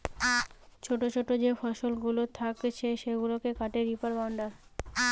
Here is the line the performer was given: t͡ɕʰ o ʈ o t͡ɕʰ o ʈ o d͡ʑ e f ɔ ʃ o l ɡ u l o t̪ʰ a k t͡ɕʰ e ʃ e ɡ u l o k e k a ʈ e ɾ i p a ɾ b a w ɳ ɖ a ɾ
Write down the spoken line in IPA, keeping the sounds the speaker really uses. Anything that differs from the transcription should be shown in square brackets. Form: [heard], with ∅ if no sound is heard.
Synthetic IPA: t͡ɕʰ o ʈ o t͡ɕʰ o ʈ o d͡ʑ e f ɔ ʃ o l ɡ u l o t̪ʰ a k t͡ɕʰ e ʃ e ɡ u l o k e k a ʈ e ɾ i p a ɾ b a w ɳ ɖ a ɾ